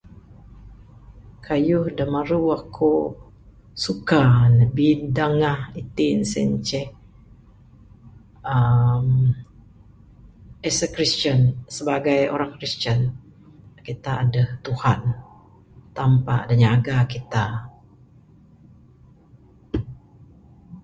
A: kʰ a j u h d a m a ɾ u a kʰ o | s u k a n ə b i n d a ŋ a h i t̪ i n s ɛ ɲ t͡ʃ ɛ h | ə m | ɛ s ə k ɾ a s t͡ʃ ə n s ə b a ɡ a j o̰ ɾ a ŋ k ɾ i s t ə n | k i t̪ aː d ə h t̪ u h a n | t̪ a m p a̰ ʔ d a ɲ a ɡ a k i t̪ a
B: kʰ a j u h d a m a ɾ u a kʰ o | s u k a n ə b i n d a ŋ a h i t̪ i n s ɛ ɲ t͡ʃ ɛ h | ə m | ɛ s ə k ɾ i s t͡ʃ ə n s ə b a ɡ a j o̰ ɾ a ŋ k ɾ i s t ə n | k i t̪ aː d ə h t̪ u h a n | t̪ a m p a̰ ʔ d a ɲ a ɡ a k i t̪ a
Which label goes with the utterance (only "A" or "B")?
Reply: B